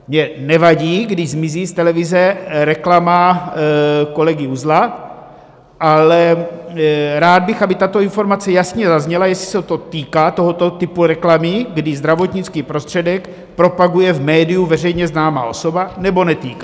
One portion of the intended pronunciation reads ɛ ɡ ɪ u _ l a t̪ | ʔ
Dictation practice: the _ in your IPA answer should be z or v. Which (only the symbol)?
z